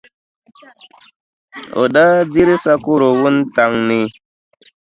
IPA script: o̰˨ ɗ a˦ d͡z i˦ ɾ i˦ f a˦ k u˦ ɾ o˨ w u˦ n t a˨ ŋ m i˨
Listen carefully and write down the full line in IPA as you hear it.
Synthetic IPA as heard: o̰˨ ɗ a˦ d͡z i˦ ɾ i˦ s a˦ k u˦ ɾ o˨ w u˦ n t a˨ ŋ n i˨